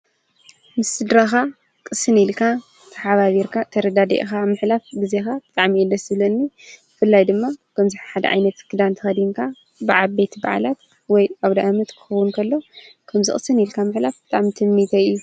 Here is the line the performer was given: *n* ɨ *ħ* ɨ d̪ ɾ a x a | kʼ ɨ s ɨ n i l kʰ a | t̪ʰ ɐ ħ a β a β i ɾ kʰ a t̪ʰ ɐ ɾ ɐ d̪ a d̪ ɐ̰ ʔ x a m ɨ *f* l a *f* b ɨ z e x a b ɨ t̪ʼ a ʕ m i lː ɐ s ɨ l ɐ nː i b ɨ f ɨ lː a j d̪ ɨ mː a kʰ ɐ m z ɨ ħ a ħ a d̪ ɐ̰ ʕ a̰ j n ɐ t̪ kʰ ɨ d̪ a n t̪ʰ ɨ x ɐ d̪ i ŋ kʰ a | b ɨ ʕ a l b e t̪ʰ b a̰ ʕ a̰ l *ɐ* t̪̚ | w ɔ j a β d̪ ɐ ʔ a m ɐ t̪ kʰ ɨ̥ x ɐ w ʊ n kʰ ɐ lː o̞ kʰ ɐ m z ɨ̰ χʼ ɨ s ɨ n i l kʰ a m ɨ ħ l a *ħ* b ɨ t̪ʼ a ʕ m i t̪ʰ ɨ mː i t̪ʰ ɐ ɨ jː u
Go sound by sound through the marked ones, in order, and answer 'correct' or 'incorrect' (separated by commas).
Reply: incorrect, incorrect, incorrect, correct, incorrect, incorrect